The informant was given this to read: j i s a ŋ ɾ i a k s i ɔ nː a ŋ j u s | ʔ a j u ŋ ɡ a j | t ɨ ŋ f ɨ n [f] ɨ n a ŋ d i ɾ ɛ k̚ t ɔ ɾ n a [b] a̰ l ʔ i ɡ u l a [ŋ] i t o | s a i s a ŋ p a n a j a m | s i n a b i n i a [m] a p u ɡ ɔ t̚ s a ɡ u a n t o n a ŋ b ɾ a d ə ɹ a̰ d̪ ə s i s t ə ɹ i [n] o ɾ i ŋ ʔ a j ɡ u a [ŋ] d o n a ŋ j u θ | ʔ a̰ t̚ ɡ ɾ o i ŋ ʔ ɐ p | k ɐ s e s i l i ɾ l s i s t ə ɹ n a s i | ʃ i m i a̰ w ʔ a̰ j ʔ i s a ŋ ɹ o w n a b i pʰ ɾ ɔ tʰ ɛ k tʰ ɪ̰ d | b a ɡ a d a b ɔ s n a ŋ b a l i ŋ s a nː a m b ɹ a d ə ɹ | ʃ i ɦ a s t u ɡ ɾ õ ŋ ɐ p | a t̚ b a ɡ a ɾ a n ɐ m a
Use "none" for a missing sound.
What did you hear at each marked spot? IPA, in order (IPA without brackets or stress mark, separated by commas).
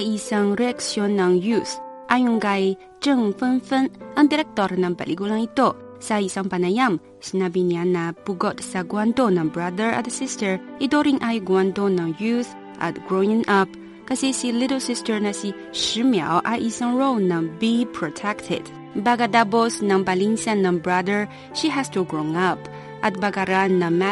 f, b, ŋ, n, d, n